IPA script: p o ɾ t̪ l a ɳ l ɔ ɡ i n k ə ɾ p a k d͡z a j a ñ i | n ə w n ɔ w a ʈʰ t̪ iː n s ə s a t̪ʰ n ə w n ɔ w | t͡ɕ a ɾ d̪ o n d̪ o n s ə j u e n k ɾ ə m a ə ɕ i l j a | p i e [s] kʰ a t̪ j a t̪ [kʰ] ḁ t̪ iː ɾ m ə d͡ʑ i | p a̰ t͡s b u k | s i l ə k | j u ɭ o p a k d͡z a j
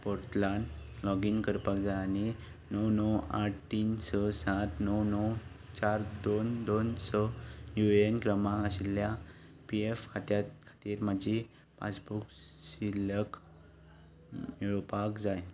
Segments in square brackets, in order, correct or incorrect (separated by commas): incorrect, correct